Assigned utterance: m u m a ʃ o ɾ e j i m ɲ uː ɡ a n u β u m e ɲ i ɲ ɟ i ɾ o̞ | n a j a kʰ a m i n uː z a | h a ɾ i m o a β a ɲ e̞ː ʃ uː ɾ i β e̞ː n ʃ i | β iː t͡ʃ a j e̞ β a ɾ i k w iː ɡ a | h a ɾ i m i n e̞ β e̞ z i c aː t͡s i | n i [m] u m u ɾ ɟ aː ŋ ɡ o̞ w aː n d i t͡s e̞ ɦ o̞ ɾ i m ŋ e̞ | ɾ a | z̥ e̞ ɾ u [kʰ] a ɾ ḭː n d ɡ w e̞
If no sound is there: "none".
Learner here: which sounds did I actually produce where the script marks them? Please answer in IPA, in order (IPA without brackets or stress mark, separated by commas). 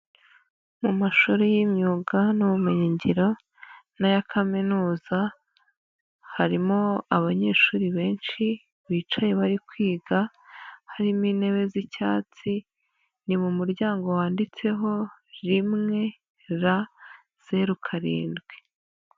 m, kʰ